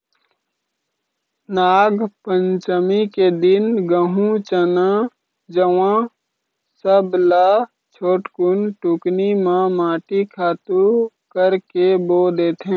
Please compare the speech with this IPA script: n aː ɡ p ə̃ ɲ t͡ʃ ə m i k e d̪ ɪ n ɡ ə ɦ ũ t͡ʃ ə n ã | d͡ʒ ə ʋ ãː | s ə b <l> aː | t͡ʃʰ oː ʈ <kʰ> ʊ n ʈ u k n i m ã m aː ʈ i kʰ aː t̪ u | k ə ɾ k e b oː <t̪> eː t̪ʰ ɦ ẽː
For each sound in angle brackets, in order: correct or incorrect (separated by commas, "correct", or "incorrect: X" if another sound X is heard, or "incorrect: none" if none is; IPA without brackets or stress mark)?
correct, incorrect: k, incorrect: d̪